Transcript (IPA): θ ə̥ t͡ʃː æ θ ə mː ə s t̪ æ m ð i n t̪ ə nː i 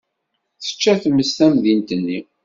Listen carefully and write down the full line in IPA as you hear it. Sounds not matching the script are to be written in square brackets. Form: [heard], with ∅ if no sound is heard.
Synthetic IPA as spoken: θ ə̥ t͡ʃː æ θ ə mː ə s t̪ æ m ð i n t̪ ə nː i